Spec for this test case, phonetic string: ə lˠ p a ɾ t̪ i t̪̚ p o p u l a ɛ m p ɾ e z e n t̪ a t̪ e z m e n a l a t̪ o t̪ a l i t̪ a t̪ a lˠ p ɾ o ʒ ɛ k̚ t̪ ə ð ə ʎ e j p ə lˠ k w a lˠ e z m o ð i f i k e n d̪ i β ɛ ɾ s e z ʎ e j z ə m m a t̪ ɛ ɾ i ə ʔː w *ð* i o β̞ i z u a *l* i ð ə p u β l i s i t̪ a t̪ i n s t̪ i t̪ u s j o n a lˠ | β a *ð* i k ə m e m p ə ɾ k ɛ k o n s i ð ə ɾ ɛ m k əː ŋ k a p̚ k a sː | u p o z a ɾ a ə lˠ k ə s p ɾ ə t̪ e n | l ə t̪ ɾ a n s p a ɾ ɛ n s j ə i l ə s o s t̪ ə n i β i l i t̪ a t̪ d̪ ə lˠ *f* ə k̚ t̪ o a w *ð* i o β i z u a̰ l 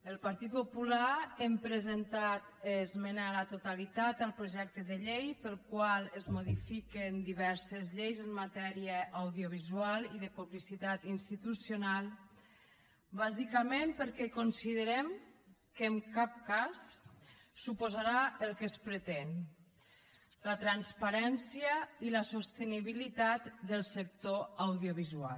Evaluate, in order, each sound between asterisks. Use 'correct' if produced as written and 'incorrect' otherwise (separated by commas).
correct, correct, incorrect, incorrect, correct